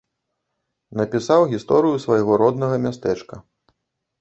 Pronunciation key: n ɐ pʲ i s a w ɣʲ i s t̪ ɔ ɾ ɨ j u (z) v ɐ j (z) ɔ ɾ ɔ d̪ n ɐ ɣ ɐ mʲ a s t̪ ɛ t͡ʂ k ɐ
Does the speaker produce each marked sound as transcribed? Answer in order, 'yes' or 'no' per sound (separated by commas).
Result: no, no